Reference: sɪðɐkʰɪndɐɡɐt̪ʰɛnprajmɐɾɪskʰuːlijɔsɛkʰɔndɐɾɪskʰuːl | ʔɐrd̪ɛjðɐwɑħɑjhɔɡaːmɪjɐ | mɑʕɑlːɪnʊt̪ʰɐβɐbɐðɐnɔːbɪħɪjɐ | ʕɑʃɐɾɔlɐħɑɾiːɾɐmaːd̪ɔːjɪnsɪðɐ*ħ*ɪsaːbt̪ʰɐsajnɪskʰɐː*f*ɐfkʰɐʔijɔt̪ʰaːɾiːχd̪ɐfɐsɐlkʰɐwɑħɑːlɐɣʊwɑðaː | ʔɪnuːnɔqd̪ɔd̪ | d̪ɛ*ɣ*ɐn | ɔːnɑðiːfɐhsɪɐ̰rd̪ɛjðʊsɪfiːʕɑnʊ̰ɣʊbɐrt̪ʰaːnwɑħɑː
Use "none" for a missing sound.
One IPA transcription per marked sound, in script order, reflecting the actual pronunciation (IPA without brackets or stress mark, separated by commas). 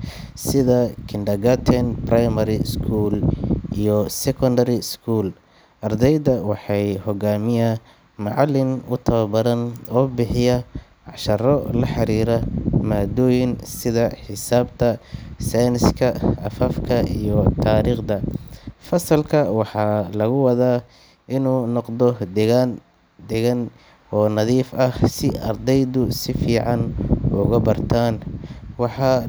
ħ, f, ɣ